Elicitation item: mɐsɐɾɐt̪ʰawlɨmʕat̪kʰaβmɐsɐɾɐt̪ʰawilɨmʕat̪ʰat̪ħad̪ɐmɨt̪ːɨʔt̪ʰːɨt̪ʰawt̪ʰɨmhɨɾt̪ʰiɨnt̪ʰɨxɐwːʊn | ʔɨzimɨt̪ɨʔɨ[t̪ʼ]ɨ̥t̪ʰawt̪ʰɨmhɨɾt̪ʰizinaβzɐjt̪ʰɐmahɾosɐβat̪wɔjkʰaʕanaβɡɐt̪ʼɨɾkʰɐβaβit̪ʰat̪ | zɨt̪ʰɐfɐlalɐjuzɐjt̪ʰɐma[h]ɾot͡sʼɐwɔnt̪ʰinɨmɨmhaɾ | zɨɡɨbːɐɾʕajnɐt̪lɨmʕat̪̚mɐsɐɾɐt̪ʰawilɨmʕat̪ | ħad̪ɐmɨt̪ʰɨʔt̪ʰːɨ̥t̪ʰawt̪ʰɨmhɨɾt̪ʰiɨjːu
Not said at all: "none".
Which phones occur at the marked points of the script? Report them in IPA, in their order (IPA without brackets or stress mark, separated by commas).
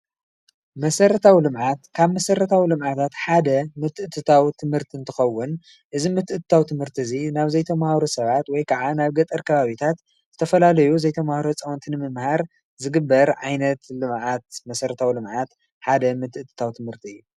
t̪, h